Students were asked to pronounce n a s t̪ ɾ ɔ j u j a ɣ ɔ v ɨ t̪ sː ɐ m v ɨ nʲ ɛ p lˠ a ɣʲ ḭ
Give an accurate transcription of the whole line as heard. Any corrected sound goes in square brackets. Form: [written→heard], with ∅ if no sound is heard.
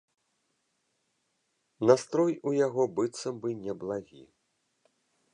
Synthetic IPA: n a s t̪ ɾ ɔ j u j a ɣ ɔ [v→b] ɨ t̪ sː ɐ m [v→b] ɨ nʲ ɛ [p→b] lˠ a ɣʲ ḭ